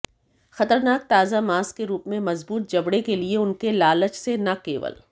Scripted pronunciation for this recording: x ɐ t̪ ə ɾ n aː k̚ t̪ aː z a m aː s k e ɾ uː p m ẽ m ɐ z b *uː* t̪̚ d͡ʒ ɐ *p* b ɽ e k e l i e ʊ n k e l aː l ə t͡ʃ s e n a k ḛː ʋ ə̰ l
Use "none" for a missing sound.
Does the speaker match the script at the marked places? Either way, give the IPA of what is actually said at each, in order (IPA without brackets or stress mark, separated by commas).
uː, none